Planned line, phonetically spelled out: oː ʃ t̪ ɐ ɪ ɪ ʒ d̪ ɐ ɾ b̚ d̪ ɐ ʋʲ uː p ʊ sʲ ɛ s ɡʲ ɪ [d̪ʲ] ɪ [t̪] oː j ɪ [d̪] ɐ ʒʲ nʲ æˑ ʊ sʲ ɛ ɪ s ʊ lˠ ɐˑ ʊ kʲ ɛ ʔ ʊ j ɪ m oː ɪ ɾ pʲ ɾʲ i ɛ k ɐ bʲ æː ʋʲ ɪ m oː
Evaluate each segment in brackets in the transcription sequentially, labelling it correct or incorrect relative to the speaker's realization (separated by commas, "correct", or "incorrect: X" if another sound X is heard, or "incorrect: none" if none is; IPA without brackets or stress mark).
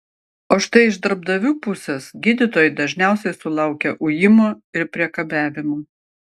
correct, correct, correct